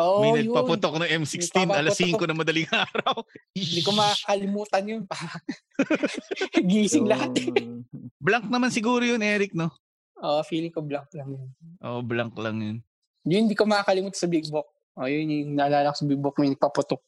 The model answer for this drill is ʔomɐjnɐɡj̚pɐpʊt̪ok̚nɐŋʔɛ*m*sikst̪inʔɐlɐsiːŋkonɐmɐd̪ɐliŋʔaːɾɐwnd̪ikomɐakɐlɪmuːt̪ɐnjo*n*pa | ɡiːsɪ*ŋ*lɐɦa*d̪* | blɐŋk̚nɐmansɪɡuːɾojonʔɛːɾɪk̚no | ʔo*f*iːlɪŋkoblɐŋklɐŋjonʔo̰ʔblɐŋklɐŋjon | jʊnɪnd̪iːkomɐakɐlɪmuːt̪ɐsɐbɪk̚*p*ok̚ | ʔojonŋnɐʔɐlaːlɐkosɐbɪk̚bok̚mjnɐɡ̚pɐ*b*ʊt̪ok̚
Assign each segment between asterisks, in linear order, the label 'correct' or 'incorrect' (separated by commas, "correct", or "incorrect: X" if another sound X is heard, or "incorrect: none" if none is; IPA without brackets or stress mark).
correct, correct, correct, incorrect: t̪, correct, incorrect: b, incorrect: p